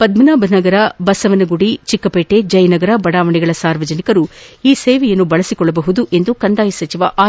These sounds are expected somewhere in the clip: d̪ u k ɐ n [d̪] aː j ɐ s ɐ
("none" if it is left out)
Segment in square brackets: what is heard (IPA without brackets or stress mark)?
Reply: d̪